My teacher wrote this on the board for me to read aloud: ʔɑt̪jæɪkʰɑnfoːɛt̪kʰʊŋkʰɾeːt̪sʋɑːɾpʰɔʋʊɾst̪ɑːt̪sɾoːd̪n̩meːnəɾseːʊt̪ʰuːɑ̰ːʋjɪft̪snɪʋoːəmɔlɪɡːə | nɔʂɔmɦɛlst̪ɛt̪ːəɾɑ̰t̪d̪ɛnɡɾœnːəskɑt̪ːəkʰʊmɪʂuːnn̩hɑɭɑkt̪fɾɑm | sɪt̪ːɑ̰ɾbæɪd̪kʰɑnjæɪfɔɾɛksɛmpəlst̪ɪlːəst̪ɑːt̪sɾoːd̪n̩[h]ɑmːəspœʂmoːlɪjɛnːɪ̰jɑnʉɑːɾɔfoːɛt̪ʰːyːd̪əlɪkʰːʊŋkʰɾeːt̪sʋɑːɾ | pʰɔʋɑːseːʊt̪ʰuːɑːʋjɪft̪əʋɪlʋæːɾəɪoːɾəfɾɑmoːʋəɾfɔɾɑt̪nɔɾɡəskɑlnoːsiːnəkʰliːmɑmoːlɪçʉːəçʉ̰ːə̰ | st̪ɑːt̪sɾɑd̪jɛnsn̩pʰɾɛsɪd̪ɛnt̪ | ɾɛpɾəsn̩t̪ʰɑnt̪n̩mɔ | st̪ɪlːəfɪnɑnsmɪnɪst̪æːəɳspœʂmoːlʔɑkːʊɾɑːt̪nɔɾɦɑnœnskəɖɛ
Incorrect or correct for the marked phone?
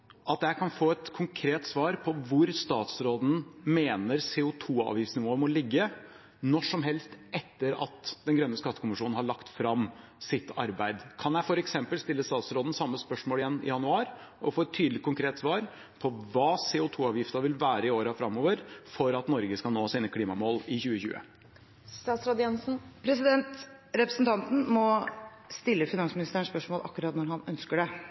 incorrect: s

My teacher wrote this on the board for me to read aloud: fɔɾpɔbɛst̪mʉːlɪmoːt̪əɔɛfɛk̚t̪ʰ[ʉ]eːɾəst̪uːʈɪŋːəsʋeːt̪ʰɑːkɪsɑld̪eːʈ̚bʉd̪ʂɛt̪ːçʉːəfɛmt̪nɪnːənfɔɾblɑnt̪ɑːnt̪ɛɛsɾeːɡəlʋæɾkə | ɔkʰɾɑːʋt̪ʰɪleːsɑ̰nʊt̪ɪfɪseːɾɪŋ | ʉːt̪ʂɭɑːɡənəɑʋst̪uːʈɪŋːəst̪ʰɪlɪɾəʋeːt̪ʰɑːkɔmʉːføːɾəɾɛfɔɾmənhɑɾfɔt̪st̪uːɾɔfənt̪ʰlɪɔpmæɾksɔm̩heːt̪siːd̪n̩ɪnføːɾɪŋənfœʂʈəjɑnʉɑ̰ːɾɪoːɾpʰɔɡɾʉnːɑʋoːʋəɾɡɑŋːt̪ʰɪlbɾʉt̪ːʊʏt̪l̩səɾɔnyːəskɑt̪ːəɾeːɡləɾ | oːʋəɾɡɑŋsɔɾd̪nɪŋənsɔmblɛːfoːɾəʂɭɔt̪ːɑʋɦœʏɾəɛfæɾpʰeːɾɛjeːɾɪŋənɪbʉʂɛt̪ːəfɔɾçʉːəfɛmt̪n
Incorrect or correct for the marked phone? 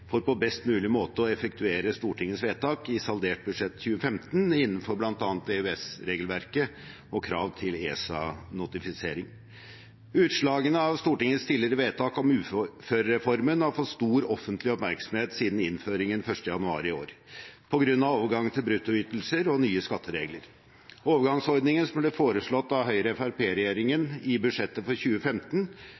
correct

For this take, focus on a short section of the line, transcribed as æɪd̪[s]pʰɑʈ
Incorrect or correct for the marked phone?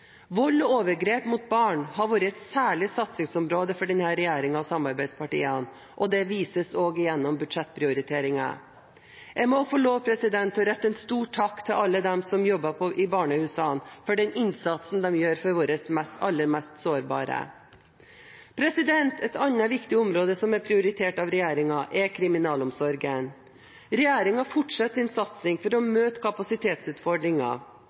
correct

